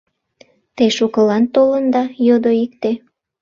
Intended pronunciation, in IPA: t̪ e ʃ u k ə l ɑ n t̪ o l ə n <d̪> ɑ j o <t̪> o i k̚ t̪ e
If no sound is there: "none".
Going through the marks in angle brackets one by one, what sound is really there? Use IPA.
d̪, d̪

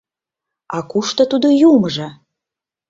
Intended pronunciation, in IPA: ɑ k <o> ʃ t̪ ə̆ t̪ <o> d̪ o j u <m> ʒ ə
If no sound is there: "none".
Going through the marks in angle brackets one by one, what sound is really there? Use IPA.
u, u, m

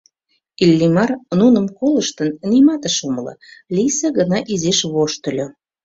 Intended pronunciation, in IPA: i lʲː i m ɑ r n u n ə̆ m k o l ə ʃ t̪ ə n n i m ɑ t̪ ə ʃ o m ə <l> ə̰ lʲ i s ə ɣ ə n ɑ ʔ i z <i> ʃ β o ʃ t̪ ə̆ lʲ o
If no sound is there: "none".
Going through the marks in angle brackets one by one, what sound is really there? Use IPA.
l, e

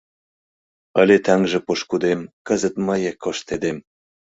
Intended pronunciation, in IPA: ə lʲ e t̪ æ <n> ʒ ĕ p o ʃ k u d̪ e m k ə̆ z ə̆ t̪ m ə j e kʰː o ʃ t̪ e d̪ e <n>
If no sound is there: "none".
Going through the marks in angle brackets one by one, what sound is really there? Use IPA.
ŋ, m

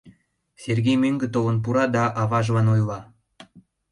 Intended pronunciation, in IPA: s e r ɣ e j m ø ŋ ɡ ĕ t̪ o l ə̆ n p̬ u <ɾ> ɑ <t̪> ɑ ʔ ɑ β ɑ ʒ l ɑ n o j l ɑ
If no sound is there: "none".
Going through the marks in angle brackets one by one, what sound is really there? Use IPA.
ɾ, d̪

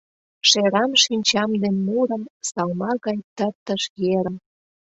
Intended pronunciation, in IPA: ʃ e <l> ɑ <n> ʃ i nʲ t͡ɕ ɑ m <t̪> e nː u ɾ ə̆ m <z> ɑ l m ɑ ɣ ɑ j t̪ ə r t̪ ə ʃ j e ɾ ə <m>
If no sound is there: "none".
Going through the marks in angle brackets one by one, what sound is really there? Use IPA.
ɾ, m, d̪, s, m

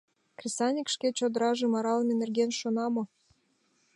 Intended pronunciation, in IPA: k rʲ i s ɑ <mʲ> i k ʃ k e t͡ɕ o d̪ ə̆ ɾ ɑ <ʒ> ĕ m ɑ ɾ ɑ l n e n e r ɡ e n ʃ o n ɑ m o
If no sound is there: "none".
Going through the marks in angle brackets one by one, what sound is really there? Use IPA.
nʲ, ʒ

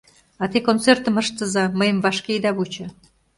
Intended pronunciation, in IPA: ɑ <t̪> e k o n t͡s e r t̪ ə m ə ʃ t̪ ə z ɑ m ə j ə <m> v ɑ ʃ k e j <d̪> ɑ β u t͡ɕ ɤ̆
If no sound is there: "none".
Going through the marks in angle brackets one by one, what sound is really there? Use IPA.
t̪, m, d̪

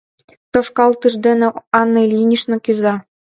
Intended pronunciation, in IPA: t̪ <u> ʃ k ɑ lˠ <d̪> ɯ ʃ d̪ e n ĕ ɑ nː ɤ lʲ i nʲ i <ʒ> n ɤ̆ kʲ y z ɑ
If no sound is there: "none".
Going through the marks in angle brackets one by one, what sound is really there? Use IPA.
o, t̪, ʃ

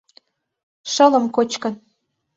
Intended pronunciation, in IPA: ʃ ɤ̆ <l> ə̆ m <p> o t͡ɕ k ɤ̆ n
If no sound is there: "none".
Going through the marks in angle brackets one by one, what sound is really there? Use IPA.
l, k

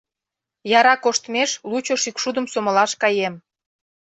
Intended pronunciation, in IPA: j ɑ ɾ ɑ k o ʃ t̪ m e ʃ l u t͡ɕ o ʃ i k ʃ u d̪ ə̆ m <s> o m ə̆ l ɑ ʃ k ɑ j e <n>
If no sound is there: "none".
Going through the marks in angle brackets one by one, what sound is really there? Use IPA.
s, m

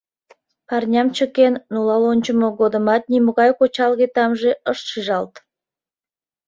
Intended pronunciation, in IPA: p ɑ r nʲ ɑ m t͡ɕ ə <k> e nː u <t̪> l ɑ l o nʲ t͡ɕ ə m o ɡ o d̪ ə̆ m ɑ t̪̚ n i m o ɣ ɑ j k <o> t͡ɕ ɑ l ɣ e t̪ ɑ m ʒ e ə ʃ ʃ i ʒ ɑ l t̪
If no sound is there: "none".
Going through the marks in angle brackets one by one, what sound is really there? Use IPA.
k, none, o

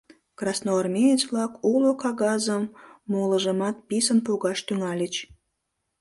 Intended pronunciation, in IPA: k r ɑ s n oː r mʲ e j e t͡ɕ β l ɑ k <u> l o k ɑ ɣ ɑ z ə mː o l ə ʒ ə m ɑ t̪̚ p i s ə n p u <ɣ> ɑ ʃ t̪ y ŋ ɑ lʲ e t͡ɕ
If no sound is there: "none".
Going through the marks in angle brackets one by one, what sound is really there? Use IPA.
u, ɣ

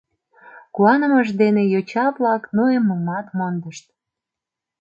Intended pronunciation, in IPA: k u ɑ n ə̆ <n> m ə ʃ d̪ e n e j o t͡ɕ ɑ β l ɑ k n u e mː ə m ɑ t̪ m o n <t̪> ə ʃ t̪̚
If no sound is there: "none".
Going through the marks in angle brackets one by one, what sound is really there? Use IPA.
none, d̪

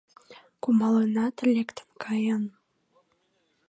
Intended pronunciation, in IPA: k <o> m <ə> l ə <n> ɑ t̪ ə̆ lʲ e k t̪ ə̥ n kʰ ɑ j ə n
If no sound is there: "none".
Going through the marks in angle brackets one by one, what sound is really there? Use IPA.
u, ɑ, n

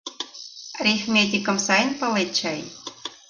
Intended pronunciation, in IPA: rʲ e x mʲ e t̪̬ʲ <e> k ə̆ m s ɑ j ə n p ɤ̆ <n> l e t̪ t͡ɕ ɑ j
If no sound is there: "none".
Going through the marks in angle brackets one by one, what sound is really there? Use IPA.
i, none

